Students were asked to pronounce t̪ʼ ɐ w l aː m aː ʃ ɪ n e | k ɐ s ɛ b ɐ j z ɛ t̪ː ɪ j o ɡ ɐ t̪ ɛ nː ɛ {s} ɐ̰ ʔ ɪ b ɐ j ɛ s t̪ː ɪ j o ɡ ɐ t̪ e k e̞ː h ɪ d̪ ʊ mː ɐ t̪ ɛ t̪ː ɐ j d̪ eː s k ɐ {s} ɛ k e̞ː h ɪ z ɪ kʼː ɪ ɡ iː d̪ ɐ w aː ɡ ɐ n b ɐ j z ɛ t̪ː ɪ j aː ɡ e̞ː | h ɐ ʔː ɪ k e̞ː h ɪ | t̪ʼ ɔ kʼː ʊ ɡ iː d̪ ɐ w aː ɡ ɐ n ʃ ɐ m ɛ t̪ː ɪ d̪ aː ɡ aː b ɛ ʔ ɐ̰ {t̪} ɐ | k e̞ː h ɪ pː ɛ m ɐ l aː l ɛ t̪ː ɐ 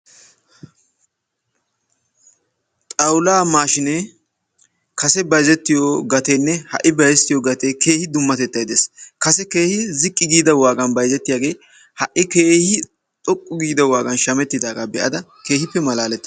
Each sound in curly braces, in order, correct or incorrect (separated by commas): incorrect, correct, incorrect